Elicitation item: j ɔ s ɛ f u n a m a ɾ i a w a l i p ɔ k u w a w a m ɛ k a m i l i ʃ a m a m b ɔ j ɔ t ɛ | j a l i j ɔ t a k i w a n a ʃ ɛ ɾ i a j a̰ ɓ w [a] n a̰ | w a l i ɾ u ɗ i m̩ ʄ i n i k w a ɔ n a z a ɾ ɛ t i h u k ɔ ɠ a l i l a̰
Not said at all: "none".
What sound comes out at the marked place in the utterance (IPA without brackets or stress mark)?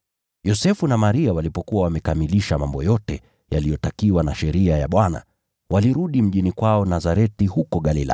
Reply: a